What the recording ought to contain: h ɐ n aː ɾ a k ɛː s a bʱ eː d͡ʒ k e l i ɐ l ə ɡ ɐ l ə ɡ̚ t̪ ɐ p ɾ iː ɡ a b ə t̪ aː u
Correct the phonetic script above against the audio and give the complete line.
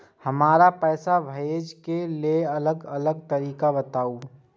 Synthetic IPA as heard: h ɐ m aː ɾ a p ɛː s a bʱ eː d͡ʒ k e l e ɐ l ə ɡ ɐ l ə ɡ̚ t̪ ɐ ɾ iː k a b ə t̪ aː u